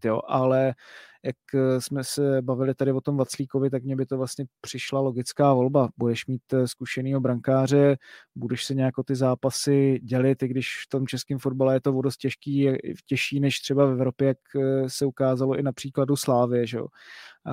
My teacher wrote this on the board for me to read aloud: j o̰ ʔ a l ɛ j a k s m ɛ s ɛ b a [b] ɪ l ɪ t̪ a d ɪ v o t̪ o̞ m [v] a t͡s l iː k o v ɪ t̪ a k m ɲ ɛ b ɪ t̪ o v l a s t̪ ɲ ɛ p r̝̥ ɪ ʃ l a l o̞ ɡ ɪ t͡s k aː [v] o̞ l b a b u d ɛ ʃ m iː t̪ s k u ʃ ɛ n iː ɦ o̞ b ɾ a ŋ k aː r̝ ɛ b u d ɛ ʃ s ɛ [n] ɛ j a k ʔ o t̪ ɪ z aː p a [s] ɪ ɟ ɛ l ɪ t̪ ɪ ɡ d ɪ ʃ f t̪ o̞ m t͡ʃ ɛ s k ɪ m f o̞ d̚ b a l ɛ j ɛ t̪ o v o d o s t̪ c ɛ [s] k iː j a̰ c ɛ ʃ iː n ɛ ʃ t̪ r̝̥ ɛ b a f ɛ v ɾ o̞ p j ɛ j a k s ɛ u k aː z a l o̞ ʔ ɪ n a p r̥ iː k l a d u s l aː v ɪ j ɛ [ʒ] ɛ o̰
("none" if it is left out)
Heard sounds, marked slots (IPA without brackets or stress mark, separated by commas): v, v, v, ɲ, s, ʃ, ʒ